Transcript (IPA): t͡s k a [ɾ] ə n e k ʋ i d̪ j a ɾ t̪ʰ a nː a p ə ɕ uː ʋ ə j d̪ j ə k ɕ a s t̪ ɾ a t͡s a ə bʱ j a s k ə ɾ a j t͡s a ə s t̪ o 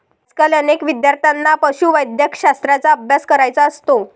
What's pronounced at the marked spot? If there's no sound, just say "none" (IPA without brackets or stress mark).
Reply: l